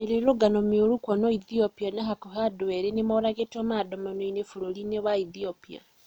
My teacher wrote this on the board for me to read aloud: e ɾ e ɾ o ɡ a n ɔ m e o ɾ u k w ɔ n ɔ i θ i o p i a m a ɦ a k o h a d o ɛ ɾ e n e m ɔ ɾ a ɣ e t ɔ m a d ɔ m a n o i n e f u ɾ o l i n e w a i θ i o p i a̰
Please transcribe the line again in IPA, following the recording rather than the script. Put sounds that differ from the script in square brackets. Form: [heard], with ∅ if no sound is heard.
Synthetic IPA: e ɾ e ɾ o ɡ a n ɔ m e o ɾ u k w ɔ n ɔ i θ i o p i a [n] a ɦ a k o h a d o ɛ ɾ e n e m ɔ ɾ a ɣ e t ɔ m a d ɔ m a n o i n e f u ɾ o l i n e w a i θ i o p i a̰